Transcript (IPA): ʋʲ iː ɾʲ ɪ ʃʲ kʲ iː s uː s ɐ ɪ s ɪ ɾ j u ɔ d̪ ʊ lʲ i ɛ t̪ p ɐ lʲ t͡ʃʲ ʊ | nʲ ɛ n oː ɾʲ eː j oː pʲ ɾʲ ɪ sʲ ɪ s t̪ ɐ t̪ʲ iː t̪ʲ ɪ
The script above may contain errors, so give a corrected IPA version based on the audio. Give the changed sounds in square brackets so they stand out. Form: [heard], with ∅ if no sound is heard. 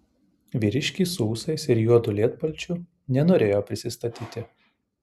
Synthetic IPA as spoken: ʋʲ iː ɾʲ ɪ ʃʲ kʲ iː s uː s ɐ ɪ s ɪ ɾ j u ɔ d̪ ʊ lʲ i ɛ t̪ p ɐ lʲ t͡ʃʲ ʊ | nʲ ɛ n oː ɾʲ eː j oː pʲ ɾʲ ɪ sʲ ɪ s t̪ ɐ t̪ʲ iː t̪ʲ ɪ